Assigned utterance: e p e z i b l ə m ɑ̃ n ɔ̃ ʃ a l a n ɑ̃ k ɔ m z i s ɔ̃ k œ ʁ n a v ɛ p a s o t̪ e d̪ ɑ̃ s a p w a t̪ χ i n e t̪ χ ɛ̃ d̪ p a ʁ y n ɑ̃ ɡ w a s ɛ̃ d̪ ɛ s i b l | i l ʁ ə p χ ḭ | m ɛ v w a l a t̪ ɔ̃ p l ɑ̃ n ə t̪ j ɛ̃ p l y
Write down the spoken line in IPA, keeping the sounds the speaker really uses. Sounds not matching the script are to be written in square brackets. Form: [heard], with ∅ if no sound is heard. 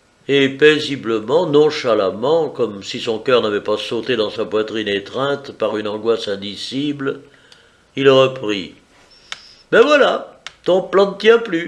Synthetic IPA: e p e z i b l ə m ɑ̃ n ɔ̃ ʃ a l a [m] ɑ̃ k ɔ m [s] i s ɔ̃ k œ ʁ n a v ɛ p a s o t̪ e d̪ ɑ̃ s a p w a t̪ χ i n e t̪ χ ɛ̃ [t̪] p a ʁ y n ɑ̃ ɡ w a s ɛ̃ d̪ [i] s i b l | i l ʁ ə p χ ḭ | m ɛ v w a l a t̪ ɔ̃ p l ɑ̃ n ə t̪ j ɛ̃ p l y